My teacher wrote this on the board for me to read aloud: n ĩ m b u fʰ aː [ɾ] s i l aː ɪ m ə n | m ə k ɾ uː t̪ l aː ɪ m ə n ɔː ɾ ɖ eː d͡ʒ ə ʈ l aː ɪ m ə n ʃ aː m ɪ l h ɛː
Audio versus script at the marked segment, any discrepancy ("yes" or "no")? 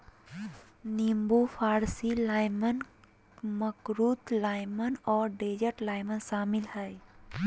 no